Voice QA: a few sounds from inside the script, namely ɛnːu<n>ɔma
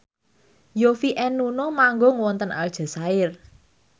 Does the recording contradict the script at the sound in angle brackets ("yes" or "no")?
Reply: no